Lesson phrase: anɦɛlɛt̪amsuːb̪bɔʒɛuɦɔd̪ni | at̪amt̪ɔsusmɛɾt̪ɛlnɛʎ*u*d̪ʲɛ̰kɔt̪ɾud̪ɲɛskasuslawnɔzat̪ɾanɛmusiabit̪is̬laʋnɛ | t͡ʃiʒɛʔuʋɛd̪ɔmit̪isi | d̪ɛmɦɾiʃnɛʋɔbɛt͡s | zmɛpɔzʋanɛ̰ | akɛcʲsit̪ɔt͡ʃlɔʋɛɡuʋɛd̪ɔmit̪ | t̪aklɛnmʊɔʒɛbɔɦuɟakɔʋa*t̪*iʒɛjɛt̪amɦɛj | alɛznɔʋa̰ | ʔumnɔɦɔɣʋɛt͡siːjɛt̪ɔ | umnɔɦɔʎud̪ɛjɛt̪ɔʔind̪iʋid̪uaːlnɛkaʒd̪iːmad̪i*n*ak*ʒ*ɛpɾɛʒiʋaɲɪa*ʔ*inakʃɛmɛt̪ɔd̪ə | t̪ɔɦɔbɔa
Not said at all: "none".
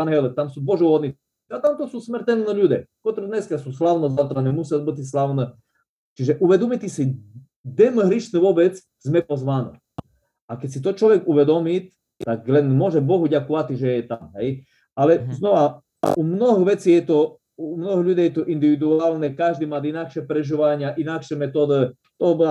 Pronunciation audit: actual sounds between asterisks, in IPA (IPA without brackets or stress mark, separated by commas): u, t̪, n, ʃ, ʔ